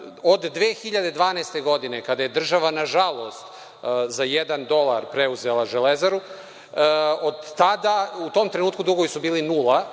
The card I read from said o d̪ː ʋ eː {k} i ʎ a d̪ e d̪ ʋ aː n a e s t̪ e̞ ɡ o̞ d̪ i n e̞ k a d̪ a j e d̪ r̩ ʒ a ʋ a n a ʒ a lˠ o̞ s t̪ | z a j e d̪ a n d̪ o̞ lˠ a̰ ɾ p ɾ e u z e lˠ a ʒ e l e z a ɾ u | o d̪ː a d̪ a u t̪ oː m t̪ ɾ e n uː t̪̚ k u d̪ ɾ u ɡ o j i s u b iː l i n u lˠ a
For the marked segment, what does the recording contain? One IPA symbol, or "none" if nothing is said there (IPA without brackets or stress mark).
x